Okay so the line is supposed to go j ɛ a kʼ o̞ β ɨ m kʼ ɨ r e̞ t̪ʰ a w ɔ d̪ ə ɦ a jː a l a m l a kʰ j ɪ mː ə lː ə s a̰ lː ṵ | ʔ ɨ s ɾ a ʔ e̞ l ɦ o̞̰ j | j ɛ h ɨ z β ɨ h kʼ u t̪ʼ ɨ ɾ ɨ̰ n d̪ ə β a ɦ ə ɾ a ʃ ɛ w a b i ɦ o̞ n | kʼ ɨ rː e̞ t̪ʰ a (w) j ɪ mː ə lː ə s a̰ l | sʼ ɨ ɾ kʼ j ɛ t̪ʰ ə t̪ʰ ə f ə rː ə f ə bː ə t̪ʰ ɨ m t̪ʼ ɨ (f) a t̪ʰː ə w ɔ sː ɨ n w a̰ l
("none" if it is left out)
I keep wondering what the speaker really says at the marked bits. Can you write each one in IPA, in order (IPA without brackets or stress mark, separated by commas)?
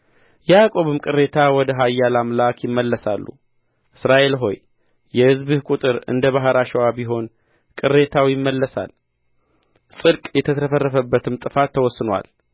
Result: w, f